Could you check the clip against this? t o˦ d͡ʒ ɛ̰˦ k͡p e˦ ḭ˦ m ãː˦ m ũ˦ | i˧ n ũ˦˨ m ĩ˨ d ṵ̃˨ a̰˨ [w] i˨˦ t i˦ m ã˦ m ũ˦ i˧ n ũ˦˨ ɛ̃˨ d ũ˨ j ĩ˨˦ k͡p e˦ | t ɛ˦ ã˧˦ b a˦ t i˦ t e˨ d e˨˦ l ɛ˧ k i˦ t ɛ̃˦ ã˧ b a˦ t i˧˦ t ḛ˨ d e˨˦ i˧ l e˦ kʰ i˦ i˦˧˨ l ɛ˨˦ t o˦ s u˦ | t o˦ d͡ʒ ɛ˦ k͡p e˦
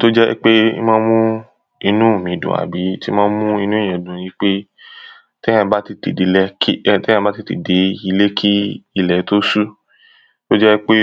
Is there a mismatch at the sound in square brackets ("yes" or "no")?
yes